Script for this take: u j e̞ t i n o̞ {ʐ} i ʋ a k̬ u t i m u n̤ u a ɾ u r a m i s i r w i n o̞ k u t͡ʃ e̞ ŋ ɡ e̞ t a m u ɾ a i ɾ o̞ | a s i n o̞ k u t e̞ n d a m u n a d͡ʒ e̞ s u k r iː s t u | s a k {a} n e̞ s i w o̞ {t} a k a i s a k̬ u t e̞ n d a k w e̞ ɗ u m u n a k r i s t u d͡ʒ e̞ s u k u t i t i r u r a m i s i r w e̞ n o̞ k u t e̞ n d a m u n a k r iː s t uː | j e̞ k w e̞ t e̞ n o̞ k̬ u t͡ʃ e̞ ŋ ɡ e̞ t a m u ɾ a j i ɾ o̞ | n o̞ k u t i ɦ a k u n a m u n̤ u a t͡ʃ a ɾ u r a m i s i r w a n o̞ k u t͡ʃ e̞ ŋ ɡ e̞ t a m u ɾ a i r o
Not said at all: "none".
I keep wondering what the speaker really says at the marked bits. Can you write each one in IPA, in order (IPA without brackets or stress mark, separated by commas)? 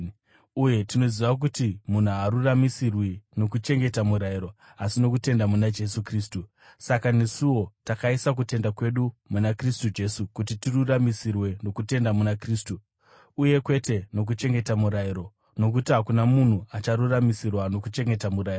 z, a, t